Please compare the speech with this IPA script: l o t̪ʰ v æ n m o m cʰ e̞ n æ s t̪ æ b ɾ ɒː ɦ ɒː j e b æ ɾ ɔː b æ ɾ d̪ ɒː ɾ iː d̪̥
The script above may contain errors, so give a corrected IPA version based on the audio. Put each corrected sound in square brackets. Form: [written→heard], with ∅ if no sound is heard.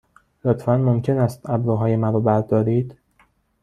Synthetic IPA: l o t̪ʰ [v→f] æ n m o m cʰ e̞ n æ s t̪ æ b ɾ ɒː ɦ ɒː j e [b→m] æ ɾ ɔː b æ ɾ d̪ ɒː ɾ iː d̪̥